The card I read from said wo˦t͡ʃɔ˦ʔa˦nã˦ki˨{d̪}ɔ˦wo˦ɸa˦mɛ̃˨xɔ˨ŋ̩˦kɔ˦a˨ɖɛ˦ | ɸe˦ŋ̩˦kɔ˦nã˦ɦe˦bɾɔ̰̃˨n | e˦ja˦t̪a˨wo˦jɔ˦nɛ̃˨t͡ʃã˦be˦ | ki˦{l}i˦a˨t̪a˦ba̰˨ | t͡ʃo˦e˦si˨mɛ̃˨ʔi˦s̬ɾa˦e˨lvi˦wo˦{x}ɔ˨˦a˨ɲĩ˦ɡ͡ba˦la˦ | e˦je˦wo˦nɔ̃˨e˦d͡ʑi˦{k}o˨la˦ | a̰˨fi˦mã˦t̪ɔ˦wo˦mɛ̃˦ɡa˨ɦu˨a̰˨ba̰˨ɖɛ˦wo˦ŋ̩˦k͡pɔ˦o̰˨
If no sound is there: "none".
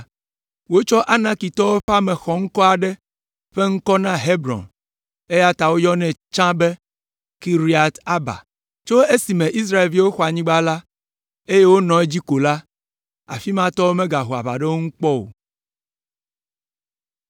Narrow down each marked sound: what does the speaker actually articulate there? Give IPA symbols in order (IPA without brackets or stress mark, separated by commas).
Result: t̪, ɾ, x, k